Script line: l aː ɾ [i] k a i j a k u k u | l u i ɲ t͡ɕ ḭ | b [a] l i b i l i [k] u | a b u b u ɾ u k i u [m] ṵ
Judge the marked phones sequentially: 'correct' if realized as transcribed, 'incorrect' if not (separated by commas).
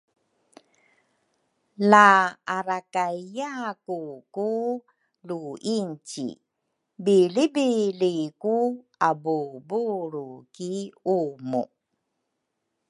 incorrect, incorrect, correct, correct